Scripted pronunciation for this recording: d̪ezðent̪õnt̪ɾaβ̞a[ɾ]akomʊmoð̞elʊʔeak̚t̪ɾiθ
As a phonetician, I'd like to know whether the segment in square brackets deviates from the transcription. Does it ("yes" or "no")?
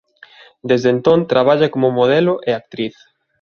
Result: yes